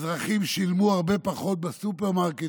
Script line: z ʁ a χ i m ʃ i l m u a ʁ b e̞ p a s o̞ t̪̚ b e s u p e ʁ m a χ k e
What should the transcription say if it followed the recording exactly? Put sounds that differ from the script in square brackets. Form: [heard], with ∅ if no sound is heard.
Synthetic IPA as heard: z ʁ a χ i m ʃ i l m u a ʁ b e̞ p a [χ] o̞ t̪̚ b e s u p e ʁ m a [ʁ] k e